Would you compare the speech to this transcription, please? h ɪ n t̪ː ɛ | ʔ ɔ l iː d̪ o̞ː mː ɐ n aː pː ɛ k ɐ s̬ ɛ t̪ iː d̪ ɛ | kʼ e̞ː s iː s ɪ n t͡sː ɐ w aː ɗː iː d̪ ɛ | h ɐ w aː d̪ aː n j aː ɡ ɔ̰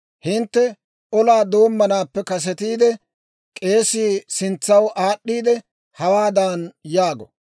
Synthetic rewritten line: h ɪ n t̪ː ɛ | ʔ ɔ l aː d̪ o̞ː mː ɐ n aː pː ɛ k ɐ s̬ ɛ t̪ iː d̪ ɛ | kʼ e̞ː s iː s ɪ n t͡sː ɐ w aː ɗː iː d̪ ɛ | h ɐ w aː d̪ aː n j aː ɡ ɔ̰